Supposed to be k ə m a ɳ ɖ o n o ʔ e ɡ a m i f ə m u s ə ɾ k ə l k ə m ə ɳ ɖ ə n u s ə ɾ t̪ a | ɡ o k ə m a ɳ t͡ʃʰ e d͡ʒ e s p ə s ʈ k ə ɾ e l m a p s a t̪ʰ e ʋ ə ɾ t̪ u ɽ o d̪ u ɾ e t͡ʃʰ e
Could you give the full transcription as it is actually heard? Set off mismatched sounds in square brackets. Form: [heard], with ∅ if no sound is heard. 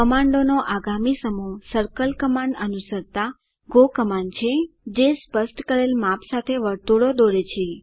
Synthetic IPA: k ə m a ɳ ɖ o n o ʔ [a] ɡ a m i [s] ə m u s ə ɾ k ə l k ə m [a] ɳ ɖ ə n u s ə ɾ t̪ a | ɡ o k ə m a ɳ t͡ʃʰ e d͡ʒ e s p ə s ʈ k ə ɾ e l m a p s a t̪ʰ e ʋ ə ɾ t̪ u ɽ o d̪ [o] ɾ e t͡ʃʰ e